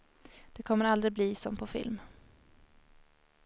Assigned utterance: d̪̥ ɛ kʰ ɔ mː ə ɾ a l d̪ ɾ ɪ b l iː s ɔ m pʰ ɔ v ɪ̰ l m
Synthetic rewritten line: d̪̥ ɛ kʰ ɔ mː ə ɾ a l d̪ ɾ ɪ b l iː s ɔ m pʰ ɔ f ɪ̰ l m